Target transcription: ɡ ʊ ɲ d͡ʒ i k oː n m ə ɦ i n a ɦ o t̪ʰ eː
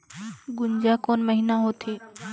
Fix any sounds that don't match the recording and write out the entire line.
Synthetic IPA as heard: ɡ ʊ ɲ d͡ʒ a k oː n m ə ɦ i n a ɦ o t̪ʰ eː